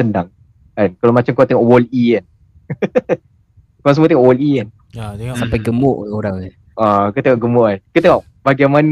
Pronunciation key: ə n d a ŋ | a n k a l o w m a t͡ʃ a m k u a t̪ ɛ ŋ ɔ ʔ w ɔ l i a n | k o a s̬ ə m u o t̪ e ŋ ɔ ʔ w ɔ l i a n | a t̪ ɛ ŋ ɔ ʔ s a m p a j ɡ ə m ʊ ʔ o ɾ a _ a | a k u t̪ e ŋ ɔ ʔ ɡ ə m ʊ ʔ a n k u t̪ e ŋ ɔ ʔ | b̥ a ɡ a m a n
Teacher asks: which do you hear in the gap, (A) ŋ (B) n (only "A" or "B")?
A